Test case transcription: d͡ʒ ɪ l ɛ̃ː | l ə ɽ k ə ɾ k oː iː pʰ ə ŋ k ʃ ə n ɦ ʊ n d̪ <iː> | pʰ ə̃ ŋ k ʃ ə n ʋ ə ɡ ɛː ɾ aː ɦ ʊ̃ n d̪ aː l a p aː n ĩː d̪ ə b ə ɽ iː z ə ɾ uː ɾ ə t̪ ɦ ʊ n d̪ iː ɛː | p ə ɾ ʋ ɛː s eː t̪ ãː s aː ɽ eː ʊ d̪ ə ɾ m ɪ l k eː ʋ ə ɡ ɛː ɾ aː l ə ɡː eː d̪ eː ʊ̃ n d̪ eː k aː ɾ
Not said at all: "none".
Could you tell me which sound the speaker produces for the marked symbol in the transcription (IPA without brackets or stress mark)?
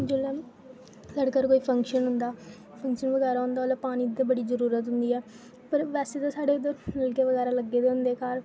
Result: aː